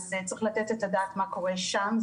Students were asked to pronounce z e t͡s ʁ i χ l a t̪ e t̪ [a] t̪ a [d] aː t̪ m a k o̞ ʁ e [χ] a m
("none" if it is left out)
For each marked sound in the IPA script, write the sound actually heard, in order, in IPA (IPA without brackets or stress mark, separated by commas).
e, d, ʃ